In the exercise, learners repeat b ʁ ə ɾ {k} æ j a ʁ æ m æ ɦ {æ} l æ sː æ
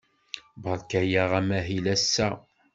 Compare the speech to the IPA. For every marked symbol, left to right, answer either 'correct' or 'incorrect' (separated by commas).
correct, incorrect